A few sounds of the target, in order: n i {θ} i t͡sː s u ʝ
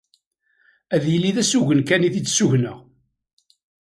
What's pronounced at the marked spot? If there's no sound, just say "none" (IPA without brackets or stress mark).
θ